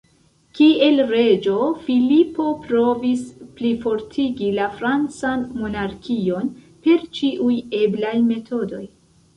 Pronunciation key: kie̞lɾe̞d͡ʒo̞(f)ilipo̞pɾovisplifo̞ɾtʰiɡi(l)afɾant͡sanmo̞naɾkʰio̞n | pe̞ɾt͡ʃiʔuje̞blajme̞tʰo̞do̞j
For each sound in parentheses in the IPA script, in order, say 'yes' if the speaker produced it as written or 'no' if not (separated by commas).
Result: yes, yes